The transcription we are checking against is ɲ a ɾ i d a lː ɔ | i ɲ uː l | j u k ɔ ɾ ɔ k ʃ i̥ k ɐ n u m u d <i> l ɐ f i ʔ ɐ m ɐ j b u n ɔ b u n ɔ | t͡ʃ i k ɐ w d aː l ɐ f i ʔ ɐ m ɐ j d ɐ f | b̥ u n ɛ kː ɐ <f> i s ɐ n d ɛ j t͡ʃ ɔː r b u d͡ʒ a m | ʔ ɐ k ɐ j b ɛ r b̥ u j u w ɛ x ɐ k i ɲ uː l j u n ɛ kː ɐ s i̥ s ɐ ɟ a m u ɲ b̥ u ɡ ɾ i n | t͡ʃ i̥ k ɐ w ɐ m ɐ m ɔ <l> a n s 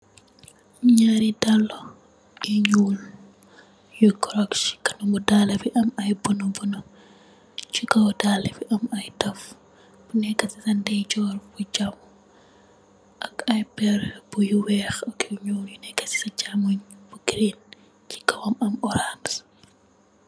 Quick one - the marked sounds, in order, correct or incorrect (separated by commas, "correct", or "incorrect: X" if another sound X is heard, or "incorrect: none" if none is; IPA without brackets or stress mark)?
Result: incorrect: a, incorrect: s, incorrect: ɾ